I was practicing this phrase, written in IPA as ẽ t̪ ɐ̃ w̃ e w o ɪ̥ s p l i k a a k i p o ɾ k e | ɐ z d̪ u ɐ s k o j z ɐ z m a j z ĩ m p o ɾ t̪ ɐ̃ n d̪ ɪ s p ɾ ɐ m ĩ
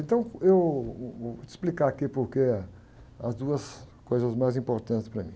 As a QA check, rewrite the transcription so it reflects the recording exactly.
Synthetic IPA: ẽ t̪ ɐ̃ w̃ e w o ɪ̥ s p l i k a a k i p o ɾ k e | ɐ z d̪ u ɐ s k o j z ɐ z m a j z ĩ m p o ɾ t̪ ɐ̃ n t̪ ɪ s p ɾ ɐ m ĩ